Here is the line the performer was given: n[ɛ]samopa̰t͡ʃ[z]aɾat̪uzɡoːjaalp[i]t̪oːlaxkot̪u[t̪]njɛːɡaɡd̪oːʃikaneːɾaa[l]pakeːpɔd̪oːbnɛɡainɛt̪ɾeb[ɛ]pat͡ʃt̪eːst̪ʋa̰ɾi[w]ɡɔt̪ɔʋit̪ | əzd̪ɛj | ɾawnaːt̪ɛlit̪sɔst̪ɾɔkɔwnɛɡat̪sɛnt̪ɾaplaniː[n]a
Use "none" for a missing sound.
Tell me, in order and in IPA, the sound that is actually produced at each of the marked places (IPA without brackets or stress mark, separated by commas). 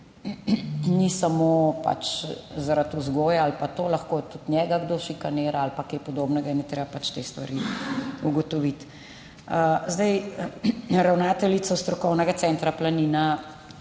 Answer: i, z, a, t̪, l, a, u, n